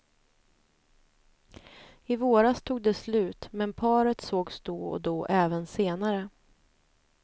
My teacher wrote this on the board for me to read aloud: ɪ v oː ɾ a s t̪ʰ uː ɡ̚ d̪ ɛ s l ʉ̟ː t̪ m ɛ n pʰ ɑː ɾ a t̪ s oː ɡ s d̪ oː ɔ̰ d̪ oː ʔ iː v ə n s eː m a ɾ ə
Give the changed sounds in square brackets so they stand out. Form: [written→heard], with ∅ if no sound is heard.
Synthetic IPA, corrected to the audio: ɪ v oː ɾ a s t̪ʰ uː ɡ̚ d̪ ɛ s l ʉ̟ː t̪ m ɛ n pʰ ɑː ɾ [a→ə] t̪ s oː ɡ s d̪ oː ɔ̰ d̪ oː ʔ [iː→ɛː] v ə n s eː [m→n] a ɾ ə